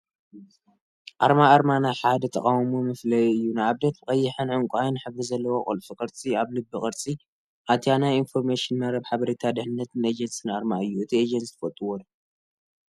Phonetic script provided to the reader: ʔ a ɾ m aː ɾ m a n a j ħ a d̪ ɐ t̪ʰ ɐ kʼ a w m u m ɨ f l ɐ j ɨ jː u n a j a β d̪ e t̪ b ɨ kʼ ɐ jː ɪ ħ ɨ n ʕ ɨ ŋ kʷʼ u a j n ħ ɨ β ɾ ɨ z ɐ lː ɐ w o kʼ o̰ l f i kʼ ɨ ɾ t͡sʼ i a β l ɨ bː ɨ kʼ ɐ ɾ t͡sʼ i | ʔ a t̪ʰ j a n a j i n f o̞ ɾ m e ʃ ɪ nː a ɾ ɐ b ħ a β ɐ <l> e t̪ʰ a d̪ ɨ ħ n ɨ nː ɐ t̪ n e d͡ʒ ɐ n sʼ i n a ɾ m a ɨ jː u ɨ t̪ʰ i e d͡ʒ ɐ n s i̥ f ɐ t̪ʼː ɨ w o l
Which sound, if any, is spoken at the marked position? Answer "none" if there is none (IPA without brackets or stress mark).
ɾ